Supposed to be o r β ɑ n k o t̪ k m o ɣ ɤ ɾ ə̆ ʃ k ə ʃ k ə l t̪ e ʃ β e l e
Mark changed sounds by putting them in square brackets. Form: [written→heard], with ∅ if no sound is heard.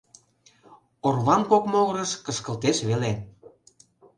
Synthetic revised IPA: o r β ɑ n k o [t̪→∅] k m o ɣ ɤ ɾ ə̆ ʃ k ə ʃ k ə l t̪ e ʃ β e l e